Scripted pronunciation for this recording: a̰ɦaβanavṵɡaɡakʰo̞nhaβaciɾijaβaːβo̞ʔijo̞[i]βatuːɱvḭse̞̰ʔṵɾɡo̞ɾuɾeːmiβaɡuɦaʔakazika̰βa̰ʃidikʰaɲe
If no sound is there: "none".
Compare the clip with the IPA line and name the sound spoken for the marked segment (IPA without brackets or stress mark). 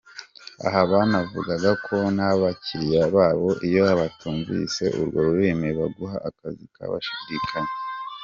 a